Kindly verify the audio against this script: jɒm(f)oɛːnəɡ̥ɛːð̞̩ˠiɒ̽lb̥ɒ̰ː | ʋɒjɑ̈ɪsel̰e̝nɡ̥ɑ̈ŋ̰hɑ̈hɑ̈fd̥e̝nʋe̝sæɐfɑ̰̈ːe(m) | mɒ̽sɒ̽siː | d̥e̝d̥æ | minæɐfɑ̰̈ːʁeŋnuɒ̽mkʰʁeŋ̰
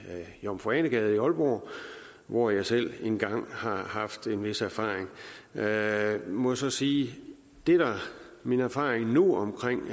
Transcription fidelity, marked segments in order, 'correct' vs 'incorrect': correct, incorrect: ŋ

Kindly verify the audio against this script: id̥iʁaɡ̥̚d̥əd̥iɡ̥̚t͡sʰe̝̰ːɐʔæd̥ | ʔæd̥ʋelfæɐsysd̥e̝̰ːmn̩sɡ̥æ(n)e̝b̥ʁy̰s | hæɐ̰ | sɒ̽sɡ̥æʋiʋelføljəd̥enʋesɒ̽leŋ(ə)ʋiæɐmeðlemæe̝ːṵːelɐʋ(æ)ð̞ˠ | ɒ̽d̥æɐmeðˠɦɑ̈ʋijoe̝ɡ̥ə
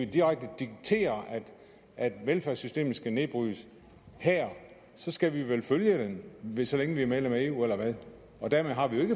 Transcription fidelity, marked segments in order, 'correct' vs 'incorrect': correct, correct, correct

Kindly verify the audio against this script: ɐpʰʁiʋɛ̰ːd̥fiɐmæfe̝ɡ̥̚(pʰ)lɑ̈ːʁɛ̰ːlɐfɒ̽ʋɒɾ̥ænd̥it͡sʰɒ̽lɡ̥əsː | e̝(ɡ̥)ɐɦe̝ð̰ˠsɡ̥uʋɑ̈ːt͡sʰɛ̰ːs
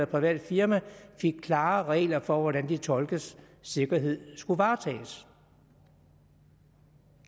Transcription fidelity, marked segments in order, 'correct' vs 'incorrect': incorrect: kʰ, correct

